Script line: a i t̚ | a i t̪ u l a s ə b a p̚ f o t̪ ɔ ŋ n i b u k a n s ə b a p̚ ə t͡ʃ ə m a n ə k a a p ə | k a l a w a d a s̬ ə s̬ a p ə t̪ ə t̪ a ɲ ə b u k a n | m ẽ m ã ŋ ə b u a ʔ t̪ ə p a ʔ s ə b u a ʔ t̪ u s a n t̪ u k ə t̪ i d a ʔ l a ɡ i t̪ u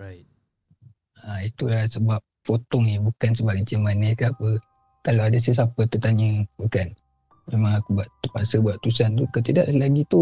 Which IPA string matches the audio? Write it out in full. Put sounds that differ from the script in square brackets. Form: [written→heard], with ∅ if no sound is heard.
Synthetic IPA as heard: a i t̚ | a i t̪ u l a s ə b a p̚ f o t̪ ɔ ŋ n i b u k a n s ə b a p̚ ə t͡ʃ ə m a n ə k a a p ə | k a l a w a d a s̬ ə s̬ a p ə t̪ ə t̪ a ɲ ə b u k a n | m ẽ m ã ŋ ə b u a ʔ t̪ ə p a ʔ s ə b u a ʔ t̪ u s a n t̪ u k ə t̪ i d a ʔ l a ɡ i t̪ u